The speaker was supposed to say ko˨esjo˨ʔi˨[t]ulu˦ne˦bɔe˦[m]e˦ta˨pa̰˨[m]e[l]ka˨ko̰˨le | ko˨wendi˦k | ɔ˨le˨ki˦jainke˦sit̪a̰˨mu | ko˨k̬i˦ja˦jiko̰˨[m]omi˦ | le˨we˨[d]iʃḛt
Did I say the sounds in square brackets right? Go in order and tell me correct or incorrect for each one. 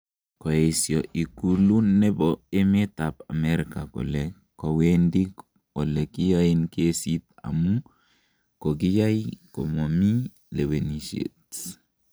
incorrect: k, correct, correct, incorrect: ɾ, correct, incorrect: n

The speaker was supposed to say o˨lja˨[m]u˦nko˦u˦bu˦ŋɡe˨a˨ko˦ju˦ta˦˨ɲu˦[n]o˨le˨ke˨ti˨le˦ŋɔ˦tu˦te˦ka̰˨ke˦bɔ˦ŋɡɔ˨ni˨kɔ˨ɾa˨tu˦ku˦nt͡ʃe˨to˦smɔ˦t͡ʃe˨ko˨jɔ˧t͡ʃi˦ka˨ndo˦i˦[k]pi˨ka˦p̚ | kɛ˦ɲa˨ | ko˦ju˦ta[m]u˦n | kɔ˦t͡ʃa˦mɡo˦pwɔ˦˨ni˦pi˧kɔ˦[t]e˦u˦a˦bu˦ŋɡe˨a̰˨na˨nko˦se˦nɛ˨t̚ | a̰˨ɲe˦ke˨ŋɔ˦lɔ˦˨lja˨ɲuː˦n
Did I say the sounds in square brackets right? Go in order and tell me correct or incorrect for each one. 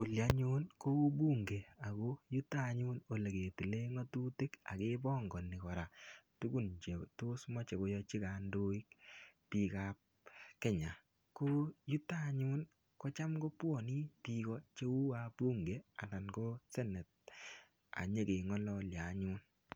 incorrect: ɲ, correct, correct, incorrect: ɲ, incorrect: t͡ʃ

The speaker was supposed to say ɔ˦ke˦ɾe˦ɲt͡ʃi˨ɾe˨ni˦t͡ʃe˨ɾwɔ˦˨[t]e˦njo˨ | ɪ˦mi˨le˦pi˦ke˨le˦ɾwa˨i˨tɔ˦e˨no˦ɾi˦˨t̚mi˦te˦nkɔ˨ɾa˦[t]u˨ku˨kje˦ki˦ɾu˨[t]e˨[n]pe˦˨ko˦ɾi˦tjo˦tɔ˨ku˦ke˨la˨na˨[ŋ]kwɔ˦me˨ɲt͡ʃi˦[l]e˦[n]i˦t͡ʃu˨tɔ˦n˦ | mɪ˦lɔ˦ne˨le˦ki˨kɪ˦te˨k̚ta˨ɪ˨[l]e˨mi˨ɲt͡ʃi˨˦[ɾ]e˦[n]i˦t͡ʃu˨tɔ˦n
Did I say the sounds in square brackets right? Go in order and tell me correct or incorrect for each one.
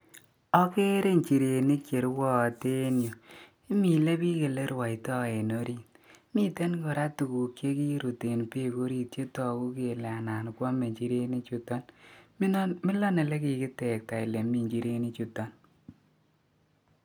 correct, correct, correct, correct, incorrect: n, incorrect: ɾ, correct, correct, correct, correct

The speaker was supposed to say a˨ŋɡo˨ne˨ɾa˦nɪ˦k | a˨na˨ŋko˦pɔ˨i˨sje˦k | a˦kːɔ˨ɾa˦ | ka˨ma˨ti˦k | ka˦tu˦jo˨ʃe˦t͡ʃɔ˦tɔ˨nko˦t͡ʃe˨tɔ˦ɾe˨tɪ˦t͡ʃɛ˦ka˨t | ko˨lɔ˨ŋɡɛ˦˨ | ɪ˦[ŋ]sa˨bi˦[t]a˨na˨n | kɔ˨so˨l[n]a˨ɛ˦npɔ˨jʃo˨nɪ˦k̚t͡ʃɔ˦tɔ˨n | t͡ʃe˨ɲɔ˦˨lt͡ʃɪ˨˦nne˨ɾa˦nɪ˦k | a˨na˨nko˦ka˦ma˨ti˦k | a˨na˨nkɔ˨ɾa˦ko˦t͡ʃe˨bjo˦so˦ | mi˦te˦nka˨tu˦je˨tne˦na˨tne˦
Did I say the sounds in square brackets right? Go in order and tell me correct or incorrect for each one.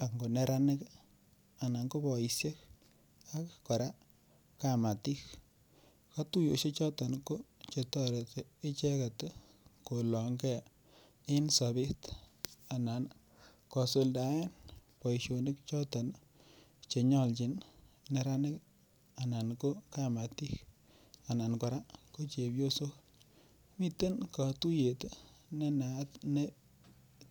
incorrect: n, correct, incorrect: d

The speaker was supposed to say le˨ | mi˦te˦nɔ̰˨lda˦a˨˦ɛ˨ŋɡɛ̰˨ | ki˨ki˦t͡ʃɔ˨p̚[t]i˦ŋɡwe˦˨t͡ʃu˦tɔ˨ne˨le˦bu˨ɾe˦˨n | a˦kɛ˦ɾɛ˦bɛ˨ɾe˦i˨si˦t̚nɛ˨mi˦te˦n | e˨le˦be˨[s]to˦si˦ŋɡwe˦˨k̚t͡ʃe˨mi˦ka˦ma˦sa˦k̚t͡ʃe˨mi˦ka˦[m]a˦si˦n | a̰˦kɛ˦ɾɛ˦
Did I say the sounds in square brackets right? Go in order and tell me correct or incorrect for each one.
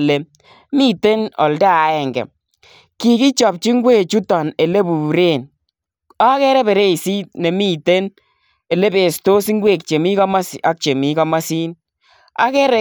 incorrect: t͡ʃ, correct, correct

